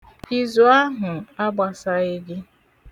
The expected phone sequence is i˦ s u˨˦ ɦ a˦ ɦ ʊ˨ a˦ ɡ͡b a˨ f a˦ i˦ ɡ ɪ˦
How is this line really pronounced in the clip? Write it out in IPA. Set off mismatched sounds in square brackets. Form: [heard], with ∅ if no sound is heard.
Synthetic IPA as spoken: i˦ [z] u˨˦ [∅] a˦ ɦ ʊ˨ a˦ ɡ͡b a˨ [s] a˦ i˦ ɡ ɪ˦